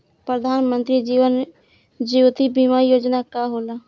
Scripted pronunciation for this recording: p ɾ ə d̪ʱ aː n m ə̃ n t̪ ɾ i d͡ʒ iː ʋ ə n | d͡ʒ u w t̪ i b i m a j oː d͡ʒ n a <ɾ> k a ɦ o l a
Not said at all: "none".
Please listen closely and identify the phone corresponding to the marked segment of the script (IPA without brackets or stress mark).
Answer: none